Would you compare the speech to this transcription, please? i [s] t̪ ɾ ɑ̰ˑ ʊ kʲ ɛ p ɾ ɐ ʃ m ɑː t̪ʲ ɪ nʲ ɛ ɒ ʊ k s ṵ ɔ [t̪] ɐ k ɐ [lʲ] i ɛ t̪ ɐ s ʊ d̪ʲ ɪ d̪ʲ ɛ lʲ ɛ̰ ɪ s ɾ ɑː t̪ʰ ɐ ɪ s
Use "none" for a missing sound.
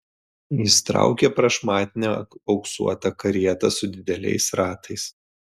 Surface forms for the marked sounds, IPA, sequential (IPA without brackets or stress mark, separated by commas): s, t̪, ɾʲ